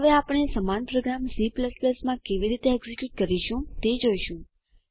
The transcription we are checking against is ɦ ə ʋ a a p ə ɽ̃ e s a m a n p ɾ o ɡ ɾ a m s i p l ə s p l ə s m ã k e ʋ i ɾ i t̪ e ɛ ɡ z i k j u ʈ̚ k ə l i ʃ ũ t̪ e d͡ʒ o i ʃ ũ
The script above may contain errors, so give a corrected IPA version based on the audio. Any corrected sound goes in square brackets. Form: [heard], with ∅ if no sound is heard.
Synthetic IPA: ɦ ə ʋ [e] a p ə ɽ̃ e s [ə] m a n p ɾ o ɡ ɾ a m s i p l ə s p l ə s m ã k e ʋ i ɾ i t̪ e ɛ ɡ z i k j u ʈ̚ k ə [ɾ] i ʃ ũ t̪ e d͡ʒ o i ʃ ũ